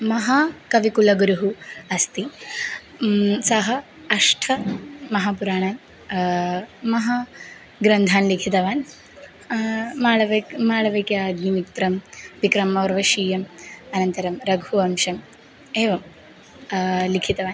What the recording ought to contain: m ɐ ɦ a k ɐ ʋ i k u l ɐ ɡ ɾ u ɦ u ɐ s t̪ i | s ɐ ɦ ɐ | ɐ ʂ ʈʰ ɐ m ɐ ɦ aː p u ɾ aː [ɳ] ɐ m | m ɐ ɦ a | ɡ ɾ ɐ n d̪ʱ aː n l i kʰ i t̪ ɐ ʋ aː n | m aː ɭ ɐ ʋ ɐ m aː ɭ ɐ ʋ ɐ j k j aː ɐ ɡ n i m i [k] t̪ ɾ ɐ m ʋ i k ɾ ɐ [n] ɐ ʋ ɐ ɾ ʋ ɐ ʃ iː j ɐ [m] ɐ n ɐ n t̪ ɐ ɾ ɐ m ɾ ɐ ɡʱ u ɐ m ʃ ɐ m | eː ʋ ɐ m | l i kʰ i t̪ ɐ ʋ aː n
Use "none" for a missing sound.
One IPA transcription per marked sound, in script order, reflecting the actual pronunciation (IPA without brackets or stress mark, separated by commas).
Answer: ɳ, k, m, m